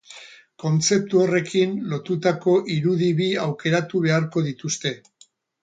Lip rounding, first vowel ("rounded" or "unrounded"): rounded